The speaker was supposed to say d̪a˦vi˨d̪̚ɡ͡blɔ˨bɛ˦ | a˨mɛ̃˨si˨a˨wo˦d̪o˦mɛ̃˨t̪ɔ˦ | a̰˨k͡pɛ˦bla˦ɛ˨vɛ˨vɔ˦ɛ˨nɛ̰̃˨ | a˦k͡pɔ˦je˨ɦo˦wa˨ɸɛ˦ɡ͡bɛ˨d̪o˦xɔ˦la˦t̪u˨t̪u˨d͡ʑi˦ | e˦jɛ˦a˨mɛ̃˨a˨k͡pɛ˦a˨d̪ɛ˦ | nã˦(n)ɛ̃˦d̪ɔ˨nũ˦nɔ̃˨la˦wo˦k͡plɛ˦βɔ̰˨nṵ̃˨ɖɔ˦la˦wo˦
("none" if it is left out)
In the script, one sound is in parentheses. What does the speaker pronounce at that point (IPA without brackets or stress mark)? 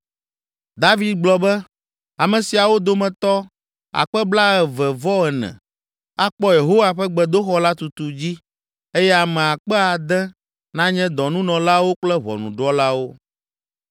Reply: ɲ